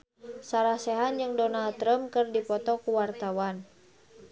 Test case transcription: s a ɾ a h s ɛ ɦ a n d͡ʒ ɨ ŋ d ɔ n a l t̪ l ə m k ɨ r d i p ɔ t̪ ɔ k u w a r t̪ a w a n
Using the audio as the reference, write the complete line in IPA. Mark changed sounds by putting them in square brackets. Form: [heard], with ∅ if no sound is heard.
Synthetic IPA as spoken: s a ɾ a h s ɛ ɦ a n d͡ʒ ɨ ŋ d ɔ n a l t̪ [ɾ] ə m k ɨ r d i p ɔ t̪ ɔ k u w a r t̪ a w a n